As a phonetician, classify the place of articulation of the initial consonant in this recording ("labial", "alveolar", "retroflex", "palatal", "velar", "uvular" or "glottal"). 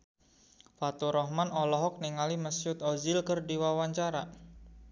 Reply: labial